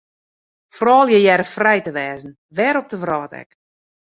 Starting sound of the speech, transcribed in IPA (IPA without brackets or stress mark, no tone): f